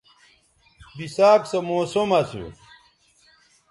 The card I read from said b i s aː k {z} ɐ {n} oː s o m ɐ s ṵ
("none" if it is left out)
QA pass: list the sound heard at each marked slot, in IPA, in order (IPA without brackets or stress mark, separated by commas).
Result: s, m